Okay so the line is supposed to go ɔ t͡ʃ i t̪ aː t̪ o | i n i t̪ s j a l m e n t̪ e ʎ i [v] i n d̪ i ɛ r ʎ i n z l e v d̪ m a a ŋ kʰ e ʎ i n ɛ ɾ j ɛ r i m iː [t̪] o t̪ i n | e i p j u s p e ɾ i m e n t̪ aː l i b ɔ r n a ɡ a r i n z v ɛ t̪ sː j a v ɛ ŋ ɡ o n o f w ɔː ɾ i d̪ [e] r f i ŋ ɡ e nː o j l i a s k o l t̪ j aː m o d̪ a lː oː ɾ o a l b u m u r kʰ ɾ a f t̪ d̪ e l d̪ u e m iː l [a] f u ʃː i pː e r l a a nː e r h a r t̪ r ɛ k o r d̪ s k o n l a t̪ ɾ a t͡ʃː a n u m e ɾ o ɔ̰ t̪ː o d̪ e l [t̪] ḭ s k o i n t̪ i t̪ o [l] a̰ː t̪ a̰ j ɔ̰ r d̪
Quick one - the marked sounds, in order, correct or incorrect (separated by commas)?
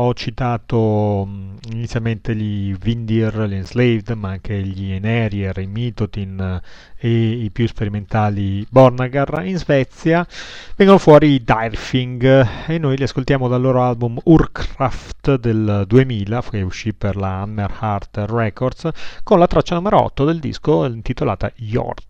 correct, correct, incorrect, correct, incorrect, correct